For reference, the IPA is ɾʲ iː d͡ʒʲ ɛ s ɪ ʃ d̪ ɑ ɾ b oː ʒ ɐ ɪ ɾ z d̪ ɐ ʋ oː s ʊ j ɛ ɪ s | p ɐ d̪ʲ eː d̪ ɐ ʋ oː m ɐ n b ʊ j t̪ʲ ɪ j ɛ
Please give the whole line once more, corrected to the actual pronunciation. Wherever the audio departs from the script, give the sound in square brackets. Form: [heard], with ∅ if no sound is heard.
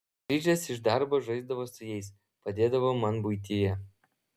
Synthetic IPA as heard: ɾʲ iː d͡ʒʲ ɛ s ɪ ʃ d̪ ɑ ɾ b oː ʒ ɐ ɪ [∅] z d̪ ɐ ʋ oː s ʊ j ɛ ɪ s | p ɐ d̪ʲ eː d̪ ɐ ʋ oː m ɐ n b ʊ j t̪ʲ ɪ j ɛ